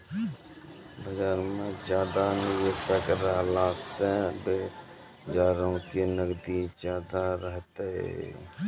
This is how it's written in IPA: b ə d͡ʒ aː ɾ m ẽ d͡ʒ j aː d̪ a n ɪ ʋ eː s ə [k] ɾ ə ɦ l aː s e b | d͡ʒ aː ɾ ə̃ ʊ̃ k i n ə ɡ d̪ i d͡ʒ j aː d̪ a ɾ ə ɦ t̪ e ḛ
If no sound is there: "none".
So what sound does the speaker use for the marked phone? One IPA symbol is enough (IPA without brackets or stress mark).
k